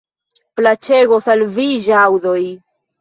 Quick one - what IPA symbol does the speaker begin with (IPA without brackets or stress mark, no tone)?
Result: p